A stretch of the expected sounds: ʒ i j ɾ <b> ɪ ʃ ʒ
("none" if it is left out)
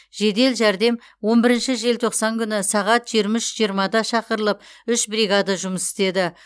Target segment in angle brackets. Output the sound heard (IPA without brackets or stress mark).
m